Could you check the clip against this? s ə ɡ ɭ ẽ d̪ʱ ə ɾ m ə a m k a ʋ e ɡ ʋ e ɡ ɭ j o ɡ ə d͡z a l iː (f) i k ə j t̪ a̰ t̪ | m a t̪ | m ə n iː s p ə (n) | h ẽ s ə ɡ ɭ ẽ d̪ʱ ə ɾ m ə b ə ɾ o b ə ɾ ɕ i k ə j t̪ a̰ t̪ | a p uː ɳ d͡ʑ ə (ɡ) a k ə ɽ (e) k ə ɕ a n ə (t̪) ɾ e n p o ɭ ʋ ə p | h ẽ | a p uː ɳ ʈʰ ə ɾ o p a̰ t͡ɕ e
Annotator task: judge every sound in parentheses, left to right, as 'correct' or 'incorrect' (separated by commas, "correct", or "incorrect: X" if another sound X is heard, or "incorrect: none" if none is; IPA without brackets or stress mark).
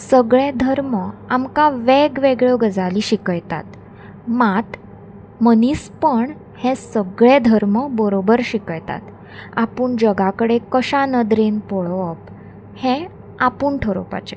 incorrect: ɕ, incorrect: ɳ, correct, correct, incorrect: d̪